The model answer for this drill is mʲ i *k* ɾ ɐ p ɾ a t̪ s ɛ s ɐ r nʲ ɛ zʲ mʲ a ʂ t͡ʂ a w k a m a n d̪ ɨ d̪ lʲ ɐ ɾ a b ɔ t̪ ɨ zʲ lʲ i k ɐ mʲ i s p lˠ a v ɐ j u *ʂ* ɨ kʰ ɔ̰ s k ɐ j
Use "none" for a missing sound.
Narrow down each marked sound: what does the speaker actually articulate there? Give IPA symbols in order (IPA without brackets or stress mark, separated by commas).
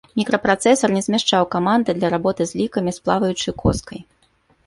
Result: k, t͡ʂ